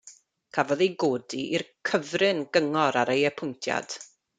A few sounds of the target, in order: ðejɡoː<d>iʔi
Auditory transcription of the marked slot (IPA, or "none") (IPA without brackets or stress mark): d